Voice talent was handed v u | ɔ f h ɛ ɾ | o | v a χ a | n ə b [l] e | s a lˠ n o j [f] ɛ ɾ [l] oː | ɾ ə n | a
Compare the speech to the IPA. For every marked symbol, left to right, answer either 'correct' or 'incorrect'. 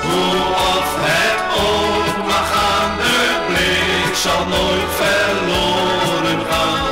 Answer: correct, correct, correct

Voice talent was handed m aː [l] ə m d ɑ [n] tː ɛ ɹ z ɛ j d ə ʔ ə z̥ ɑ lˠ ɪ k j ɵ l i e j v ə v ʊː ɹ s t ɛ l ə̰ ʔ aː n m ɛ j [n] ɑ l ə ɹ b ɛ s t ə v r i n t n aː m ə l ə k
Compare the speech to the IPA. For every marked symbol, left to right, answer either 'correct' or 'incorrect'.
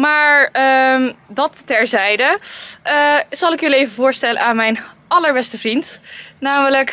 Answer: incorrect: ɹ, incorrect: none, correct

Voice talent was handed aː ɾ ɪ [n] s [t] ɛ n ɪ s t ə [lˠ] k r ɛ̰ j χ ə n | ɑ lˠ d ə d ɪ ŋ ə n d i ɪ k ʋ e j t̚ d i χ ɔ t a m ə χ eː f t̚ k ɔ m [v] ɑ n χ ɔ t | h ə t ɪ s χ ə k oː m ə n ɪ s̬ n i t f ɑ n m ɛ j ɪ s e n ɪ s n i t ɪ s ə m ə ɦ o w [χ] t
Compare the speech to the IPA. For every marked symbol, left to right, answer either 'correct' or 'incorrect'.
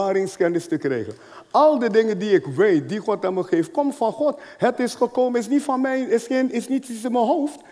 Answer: incorrect: ŋ, incorrect: k, incorrect: none, incorrect: f, incorrect: f

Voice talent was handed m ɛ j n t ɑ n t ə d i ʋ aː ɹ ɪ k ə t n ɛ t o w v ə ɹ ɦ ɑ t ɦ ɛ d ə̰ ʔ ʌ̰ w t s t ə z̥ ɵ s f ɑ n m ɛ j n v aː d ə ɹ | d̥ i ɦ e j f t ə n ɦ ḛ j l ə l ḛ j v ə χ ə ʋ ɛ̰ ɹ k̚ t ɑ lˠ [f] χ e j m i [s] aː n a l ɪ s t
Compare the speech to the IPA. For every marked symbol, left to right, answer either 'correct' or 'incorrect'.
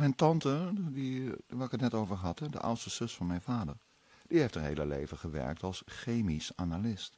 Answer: incorrect: s, correct

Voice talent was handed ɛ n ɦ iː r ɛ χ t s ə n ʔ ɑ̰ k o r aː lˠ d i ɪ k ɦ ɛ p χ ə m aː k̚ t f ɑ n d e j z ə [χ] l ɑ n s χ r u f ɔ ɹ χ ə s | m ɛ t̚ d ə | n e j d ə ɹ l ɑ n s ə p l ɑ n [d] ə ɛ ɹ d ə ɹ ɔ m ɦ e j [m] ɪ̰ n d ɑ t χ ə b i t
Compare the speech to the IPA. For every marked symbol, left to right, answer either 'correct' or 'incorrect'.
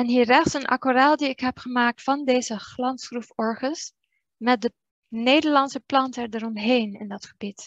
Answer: correct, incorrect: t, incorrect: n

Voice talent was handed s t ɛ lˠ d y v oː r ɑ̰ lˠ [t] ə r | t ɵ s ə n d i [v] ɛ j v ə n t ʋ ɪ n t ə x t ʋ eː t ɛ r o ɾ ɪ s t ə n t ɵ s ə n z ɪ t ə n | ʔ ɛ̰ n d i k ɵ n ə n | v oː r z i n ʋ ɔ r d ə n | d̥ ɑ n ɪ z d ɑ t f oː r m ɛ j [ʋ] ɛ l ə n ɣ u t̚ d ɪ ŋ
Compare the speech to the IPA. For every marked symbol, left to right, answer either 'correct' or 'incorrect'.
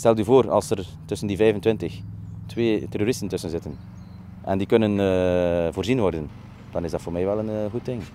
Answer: incorrect: s, correct, correct

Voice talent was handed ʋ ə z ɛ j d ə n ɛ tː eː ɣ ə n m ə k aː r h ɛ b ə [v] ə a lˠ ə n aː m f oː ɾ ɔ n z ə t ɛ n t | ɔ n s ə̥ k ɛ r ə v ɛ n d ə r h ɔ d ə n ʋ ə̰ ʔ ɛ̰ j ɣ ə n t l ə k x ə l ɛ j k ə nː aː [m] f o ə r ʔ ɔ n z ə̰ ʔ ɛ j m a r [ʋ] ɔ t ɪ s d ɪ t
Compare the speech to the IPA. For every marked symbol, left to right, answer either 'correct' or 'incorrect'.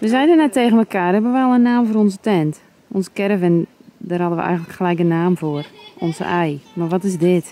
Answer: incorrect: ʋ, correct, correct

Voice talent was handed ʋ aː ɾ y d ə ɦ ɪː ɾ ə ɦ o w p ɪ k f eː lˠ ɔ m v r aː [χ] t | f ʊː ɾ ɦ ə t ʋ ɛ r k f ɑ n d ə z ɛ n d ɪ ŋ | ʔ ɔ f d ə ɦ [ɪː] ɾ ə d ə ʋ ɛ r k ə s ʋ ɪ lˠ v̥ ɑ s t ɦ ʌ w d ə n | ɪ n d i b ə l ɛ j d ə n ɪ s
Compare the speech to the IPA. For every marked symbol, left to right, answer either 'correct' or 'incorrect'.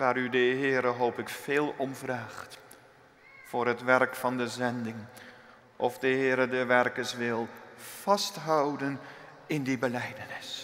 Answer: correct, correct

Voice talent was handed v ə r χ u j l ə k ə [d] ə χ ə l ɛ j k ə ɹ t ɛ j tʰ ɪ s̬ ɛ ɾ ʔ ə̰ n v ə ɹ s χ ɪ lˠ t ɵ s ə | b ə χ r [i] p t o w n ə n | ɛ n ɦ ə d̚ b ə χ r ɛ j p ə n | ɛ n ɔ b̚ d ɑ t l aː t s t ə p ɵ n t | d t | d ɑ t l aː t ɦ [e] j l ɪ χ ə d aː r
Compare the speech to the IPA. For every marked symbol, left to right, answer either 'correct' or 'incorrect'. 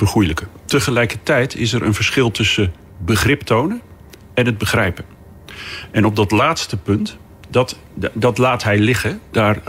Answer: incorrect: t, incorrect: ɪ, incorrect: ɛ

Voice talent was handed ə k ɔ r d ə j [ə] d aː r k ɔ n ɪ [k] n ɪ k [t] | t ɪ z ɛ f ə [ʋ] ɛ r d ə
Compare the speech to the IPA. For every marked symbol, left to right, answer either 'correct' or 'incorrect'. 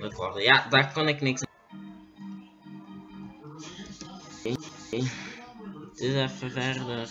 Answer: incorrect: a, correct, incorrect: s, incorrect: v

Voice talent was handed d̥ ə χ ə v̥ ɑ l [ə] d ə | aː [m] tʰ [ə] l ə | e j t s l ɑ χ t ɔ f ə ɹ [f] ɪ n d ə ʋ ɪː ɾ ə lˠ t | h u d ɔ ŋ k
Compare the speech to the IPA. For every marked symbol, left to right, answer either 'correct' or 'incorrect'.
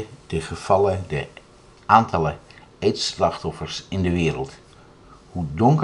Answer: correct, incorrect: n, incorrect: ɑ, incorrect: s

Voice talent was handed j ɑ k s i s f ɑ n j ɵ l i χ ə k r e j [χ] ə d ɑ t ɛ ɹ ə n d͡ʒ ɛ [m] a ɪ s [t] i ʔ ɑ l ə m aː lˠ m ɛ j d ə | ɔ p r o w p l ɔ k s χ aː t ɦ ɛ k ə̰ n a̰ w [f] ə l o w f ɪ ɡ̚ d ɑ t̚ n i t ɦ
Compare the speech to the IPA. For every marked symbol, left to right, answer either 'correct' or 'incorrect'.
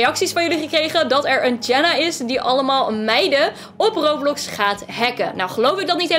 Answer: correct, incorrect: n, incorrect: d, incorrect: χ

